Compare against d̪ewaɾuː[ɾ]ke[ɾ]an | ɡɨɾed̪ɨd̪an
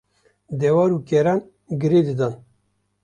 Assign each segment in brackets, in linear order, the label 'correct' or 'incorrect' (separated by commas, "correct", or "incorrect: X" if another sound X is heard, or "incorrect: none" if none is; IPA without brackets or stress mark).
incorrect: none, correct